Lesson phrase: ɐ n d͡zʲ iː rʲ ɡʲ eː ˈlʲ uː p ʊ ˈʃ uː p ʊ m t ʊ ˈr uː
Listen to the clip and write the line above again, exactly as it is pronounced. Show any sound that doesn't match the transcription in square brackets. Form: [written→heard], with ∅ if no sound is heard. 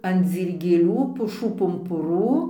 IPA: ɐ n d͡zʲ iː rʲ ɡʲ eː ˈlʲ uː p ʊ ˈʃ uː p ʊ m [t→p] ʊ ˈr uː